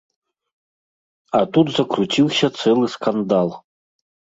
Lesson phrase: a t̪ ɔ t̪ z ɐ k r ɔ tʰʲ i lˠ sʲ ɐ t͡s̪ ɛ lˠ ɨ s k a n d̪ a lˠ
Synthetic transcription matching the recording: a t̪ u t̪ z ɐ k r u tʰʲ i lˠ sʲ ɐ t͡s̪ ɛ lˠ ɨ s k a n d̪ a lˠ